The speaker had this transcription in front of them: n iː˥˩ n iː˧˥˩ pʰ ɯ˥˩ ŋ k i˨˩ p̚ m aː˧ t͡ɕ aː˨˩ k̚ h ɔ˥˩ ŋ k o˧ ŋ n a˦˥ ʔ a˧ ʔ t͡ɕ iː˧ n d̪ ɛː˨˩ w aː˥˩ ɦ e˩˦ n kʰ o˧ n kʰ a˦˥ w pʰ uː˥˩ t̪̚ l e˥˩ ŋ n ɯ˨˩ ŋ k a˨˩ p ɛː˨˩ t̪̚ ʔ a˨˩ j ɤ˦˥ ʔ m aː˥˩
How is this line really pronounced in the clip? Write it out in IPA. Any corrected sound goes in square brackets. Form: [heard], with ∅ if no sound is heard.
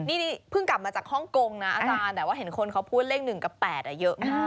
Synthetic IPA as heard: n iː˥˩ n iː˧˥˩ pʰ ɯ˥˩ ŋ k [a˨˩] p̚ m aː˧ t͡ɕ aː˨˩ k̚ h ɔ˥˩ ŋ k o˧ ŋ n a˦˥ ʔ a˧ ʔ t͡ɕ [aː˧] n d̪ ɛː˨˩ w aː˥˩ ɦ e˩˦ n kʰ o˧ n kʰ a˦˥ w pʰ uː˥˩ t̪̚ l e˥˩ ŋ n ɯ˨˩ ŋ k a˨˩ p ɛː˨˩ t̪̚ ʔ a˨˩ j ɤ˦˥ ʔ m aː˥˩